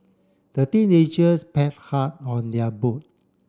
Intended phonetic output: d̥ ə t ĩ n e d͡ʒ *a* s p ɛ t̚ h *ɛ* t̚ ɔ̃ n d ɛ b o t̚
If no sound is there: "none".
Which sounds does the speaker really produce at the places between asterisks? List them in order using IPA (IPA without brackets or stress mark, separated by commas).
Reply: ə, a